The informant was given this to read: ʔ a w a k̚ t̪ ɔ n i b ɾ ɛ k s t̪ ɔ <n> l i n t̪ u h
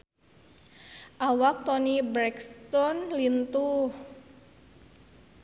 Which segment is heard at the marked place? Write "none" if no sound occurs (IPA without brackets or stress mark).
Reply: n